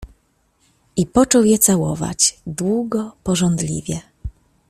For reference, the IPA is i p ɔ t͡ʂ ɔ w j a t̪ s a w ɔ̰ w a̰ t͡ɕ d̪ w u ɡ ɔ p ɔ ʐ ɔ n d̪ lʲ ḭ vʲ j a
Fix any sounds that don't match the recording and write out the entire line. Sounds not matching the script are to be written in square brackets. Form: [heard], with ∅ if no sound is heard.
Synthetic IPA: i p ɔ t͡ʂ ɔ w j [ɛ] t̪ s a w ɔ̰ [v] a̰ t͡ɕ d̪ w u ɡ ɔ p ɔ ʐ ɔ n d̪ lʲ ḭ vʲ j [ɛ]